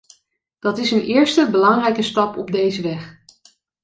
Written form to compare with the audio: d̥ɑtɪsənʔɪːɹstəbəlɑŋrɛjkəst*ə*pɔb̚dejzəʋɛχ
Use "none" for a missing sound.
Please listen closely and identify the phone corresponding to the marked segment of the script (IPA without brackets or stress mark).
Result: ɑ